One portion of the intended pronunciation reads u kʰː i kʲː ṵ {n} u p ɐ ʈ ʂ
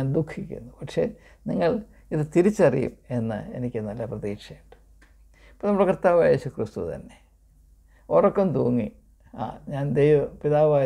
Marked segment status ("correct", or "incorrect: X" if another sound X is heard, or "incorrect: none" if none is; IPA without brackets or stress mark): incorrect: nː